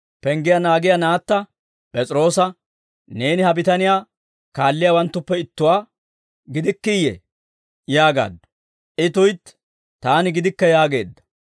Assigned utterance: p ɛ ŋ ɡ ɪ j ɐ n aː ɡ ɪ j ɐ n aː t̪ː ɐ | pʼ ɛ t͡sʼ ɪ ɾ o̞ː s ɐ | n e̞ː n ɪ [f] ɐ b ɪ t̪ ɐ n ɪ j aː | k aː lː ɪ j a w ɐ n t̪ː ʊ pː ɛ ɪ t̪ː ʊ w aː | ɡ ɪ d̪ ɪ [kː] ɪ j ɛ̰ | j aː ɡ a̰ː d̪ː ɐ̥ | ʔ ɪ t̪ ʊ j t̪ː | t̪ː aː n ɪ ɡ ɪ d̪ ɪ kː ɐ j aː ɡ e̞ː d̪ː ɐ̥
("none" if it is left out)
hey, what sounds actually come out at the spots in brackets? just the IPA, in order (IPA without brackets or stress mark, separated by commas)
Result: h, kː